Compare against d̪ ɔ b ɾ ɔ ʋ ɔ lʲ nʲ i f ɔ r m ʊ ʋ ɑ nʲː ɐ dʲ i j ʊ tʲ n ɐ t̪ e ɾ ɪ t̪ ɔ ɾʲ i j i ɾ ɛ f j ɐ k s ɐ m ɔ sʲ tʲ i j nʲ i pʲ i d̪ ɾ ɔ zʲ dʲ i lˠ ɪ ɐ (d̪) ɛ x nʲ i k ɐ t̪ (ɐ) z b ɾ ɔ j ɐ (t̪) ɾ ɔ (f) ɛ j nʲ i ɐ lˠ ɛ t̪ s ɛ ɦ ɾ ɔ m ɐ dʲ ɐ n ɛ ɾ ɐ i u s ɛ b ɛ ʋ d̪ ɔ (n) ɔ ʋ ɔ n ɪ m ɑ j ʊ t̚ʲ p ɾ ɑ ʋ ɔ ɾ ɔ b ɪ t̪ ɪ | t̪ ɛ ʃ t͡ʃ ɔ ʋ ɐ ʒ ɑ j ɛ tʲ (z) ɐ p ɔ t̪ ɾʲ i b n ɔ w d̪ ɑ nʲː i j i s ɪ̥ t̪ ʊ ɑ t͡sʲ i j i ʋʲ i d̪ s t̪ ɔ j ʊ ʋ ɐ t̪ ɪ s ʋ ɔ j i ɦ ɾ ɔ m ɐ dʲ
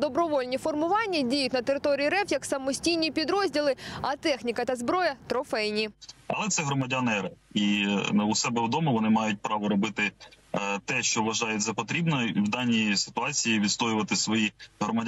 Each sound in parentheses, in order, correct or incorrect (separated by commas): incorrect, correct, correct, correct, incorrect, correct